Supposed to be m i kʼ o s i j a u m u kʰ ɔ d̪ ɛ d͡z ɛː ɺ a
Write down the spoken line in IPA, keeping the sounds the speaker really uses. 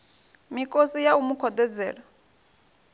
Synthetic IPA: m i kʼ o s i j a u m u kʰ ɔ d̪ ɛ d͡z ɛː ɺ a